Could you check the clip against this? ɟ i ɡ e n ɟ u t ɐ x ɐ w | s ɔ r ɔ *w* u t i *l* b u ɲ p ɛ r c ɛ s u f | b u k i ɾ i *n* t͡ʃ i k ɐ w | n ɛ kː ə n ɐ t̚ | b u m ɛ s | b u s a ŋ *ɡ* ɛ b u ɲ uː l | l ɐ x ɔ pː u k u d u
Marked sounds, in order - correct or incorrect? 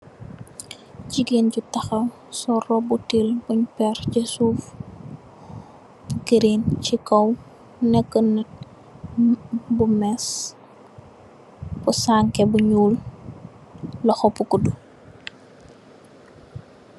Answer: incorrect, correct, correct, incorrect

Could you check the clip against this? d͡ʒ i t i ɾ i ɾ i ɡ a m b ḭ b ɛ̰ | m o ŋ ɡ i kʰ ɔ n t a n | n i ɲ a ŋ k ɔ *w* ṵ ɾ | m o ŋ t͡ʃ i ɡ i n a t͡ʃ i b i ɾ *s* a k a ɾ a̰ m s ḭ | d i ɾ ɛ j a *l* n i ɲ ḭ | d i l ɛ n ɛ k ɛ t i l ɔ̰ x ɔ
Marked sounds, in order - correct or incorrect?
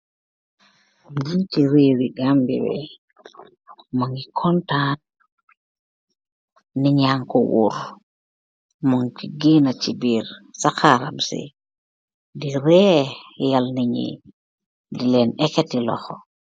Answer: correct, correct, correct

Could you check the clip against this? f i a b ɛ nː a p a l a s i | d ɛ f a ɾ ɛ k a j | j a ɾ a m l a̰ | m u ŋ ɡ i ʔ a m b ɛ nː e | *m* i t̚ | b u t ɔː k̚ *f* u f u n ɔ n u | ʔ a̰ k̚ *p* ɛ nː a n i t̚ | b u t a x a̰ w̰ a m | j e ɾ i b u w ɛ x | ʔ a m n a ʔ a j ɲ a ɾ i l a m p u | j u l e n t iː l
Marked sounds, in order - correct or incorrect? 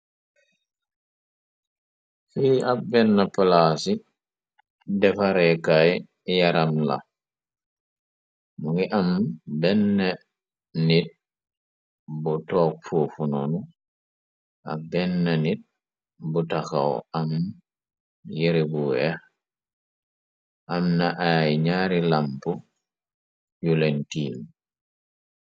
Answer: incorrect, correct, incorrect

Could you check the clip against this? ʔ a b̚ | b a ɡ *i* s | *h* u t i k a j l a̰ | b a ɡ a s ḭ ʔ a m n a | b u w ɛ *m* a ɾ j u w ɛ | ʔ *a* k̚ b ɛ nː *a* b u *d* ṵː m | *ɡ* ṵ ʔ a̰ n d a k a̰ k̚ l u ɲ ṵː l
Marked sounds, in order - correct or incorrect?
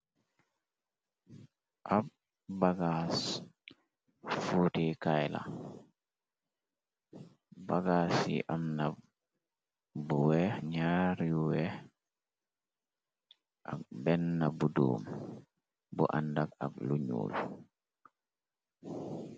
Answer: incorrect, incorrect, incorrect, correct, correct, correct, incorrect

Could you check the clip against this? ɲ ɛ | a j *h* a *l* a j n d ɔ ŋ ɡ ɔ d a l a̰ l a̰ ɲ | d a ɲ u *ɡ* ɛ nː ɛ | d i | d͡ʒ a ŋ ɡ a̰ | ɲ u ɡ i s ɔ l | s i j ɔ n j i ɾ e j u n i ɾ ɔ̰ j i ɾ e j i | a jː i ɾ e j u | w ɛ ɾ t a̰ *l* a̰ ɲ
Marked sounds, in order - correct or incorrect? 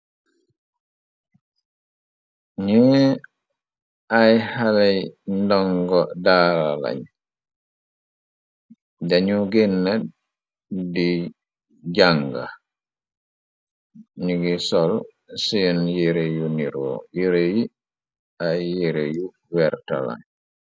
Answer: correct, correct, correct, correct

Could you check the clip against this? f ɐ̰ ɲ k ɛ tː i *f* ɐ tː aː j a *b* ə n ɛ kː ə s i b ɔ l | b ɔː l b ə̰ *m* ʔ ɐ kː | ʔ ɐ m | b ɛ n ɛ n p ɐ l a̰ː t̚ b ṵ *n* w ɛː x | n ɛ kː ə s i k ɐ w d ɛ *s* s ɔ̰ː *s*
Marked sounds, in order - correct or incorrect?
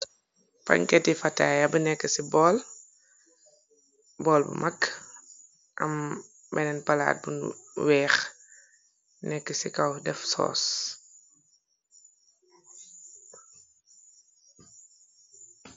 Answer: correct, correct, correct, correct, incorrect, correct

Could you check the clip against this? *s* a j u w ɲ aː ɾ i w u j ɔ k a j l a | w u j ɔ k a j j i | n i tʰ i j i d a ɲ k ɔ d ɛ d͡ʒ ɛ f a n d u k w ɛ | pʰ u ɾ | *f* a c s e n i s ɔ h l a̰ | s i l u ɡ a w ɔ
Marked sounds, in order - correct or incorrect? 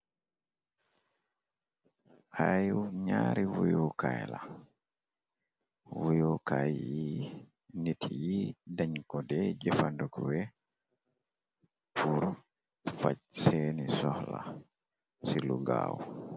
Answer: incorrect, correct

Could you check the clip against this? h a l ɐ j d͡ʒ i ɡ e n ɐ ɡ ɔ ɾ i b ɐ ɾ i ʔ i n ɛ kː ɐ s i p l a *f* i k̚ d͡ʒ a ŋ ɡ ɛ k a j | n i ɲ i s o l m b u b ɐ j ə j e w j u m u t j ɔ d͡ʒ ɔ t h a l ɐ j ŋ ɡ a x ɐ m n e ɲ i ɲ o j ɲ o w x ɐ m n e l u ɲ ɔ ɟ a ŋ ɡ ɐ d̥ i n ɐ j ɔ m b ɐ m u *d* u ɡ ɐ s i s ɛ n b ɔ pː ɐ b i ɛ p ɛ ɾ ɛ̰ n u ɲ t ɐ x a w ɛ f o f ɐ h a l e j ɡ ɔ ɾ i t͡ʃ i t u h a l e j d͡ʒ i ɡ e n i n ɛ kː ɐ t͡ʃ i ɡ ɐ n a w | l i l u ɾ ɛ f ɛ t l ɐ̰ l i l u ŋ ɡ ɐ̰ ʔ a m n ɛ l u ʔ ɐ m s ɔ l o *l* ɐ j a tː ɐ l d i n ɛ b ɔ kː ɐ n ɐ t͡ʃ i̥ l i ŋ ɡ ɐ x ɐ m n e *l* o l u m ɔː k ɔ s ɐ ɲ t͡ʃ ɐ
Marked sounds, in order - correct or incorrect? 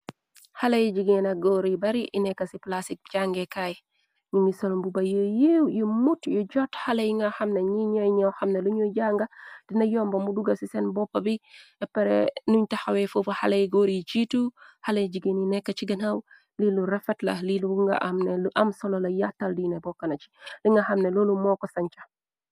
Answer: incorrect, correct, correct, correct

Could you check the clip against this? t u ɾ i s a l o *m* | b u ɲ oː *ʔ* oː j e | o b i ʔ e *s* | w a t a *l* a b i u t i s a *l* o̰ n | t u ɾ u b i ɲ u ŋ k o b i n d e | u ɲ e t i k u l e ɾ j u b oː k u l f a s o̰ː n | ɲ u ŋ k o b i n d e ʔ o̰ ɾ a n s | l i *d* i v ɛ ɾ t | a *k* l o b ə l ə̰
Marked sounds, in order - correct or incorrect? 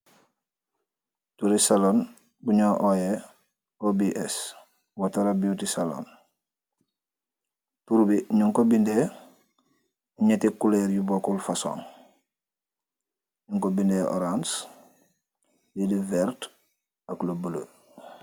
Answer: incorrect, correct, correct, incorrect, correct, correct, correct

